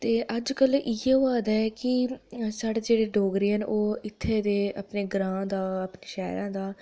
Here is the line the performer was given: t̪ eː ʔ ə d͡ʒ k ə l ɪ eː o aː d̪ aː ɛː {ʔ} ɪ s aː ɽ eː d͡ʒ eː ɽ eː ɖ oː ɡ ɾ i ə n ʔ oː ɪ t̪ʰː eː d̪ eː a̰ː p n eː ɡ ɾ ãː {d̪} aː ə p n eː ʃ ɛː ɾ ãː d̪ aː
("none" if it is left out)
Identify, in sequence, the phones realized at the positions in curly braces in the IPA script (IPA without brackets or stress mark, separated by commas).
k, d̪